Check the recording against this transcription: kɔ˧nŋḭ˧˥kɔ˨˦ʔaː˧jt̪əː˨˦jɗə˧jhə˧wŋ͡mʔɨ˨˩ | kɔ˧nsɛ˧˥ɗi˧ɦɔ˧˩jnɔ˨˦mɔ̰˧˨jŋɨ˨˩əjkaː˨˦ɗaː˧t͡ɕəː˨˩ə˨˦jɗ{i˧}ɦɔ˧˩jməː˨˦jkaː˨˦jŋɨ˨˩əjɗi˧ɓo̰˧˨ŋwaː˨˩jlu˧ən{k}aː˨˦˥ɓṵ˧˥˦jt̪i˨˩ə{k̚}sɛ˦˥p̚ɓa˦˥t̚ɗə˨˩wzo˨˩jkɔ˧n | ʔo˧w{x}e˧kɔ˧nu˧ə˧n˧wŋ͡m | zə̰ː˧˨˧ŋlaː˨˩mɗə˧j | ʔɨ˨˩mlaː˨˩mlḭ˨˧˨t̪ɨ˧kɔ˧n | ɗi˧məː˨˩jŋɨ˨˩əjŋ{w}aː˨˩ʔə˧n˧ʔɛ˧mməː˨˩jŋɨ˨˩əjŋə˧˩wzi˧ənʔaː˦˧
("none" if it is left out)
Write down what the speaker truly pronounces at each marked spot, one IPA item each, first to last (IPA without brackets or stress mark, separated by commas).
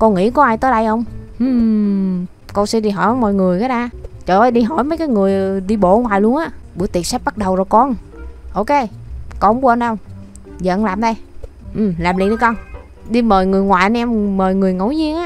i˧, ʔ, t̚, k, w